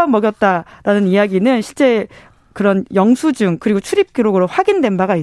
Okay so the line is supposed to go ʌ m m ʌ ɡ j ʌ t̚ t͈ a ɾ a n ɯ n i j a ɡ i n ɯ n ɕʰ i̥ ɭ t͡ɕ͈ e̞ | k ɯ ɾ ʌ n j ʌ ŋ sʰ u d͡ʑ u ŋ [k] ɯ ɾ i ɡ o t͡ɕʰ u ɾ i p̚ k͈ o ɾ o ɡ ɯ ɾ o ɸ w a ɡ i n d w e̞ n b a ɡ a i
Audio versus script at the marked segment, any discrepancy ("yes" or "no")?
no